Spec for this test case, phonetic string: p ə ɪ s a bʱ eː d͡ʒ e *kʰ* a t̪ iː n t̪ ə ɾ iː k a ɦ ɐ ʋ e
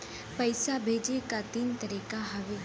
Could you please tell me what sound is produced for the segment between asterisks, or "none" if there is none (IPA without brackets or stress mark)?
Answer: k